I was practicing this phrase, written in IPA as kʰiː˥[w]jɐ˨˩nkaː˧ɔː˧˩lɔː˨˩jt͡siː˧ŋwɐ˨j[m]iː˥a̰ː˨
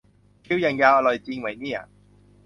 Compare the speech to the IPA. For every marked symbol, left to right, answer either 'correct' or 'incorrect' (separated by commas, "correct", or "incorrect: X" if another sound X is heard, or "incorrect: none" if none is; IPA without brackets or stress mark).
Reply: correct, incorrect: n